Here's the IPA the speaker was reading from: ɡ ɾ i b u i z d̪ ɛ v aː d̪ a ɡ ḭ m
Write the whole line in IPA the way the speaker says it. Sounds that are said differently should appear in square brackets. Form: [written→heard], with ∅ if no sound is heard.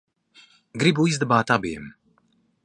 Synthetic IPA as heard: ɡ ɾ i b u i z d̪ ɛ [v→b] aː [d̪→t̪] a [ɡ→b] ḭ m

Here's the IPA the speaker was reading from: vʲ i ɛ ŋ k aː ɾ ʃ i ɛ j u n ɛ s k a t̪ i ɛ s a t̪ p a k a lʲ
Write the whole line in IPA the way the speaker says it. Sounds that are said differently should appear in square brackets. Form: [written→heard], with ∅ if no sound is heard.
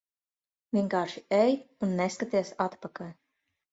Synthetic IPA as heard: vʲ i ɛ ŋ k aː ɾ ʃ i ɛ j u [n→nː] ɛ s k a t̪ i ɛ s a t̪ p a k a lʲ

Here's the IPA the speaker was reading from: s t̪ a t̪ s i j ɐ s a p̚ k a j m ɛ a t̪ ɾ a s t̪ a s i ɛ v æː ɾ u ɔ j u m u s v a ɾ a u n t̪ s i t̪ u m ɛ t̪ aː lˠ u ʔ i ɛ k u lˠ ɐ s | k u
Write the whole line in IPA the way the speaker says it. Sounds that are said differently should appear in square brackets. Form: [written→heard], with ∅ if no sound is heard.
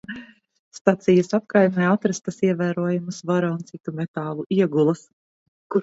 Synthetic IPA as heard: s t̪ a t̪ s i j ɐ s a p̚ k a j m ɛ a t̪ ɾ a s t̪ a s i ɛ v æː ɾ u ɔ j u m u s v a ɾ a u n t̪ s i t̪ u m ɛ t̪ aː lˠ u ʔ i ɛ [k→ɡ] u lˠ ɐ s | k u

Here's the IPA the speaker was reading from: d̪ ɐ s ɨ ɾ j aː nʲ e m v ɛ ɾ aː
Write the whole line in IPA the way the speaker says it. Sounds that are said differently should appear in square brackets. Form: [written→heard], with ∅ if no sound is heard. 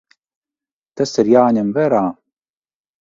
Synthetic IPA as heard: [d̪→t̪] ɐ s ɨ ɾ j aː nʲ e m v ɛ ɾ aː

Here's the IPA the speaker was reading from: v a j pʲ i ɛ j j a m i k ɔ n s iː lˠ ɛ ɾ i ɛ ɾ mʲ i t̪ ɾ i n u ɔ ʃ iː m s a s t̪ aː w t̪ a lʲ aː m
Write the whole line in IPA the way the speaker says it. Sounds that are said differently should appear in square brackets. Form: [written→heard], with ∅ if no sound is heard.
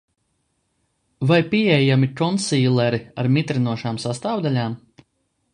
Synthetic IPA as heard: v a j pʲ i ɛ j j a m i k ɔ n s iː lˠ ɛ ɾ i [ɛ→a] ɾ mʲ i t̪ ɾ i n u ɔ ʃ [iː→aː] m s a s t̪ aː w [t̪→d̪] a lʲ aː m

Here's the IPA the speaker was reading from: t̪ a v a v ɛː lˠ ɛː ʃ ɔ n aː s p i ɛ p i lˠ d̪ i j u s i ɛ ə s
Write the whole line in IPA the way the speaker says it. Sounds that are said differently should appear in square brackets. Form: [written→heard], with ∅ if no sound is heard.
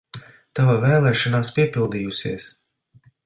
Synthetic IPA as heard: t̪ a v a v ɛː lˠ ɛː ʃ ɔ n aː s p i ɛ p i lˠ d̪ i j u s i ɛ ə s

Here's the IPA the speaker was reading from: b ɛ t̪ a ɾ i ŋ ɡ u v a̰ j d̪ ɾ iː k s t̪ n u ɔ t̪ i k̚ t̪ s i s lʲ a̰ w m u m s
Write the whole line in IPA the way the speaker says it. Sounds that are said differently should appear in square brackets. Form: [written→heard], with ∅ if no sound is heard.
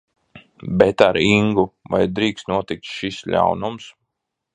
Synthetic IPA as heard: b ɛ t̪ a ɾ i ŋ ɡ u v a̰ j d̪ ɾ iː k s t̪ n u ɔ t̪ i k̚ t̪ [s→ʃ] i s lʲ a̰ w [m→n] u m s

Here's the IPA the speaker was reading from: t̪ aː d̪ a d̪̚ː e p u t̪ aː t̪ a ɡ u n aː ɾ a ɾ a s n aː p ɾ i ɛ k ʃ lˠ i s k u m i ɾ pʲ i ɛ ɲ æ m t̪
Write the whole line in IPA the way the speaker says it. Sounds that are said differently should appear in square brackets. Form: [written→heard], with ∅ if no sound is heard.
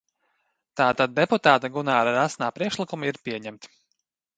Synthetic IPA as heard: t̪ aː [d̪→t̪] a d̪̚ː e p u t̪ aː t̪ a ɡ u n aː ɾ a ɾ a s n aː p ɾ i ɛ k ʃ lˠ i [s→∅] k u m i ɾ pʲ i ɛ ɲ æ m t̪

